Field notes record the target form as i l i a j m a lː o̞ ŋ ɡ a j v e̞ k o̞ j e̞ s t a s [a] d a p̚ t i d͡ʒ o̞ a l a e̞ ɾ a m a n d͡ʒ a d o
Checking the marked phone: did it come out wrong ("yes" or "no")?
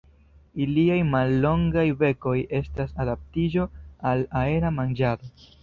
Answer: no